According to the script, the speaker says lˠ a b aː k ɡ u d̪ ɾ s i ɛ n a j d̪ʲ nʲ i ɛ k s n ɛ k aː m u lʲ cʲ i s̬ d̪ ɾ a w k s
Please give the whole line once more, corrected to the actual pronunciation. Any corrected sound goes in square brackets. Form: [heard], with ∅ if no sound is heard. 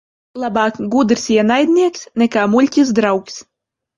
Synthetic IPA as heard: lˠ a b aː k ɡ u d̪ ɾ s i ɛ n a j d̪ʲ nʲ i ɛ k s n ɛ k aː m u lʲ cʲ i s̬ d̪ ɾ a w k s

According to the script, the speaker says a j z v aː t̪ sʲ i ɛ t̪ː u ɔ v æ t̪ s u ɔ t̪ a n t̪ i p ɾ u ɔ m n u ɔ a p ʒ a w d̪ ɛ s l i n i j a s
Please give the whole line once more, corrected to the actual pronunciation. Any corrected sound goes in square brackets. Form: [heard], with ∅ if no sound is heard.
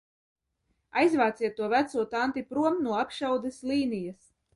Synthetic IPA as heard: a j z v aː t̪ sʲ i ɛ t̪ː u ɔ v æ t̪ s u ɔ t̪ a n t̪ i p ɾ u ɔ m n u ɔ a p [ʃ] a w d̪ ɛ s l [iː] n i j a s

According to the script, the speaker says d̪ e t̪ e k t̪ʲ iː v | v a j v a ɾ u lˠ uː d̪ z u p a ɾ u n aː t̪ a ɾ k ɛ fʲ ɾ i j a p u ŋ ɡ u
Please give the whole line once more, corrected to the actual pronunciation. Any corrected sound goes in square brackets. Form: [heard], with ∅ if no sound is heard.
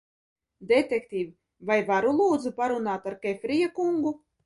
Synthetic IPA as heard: d̪ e t̪ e k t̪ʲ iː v | v a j v a ɾ u lˠ uː d̪ z u p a ɾ u n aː t̪ a ɾ k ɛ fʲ ɾ i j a [k] u ŋ ɡ u

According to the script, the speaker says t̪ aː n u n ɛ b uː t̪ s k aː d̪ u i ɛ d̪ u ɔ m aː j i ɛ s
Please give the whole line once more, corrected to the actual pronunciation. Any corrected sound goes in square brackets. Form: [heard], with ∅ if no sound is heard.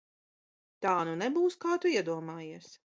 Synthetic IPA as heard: t̪ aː n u n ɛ b uː [∅] s k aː [t̪] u i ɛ d̪ u ɔ m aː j i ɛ s

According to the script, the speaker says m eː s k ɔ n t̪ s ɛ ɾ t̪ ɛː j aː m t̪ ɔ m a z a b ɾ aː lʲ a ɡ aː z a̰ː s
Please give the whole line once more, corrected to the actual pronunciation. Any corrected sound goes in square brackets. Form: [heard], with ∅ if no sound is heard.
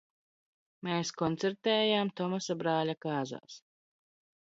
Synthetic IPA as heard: m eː s k ɔ n t̪ s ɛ ɾ t̪ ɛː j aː m t̪ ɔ m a [s] a b ɾ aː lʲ a [k] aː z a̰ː s

